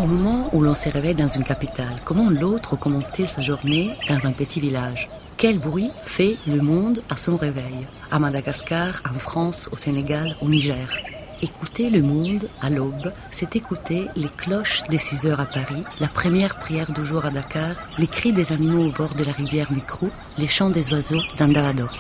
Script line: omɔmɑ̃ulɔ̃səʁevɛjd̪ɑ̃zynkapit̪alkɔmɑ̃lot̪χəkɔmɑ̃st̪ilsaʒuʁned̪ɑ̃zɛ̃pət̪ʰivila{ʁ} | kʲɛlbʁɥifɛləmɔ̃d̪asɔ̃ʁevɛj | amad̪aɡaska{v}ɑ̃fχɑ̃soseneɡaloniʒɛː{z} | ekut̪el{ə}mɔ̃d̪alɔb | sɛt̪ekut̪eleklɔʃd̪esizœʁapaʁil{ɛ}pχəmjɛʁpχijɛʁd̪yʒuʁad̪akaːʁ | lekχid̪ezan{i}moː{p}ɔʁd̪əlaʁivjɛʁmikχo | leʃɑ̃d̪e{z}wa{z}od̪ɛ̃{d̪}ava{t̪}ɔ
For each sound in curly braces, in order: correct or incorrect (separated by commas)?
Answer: incorrect, incorrect, incorrect, correct, incorrect, correct, incorrect, correct, correct, correct, incorrect